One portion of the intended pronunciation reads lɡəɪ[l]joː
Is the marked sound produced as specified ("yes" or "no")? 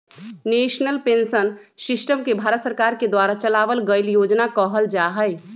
yes